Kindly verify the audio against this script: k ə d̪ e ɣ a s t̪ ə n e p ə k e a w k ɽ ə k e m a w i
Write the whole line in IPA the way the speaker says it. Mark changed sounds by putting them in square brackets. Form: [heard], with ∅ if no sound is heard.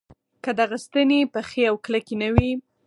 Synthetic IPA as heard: k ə d̪ [a] ɣ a s t̪ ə n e p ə [x] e a w k [l] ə k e [n] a w i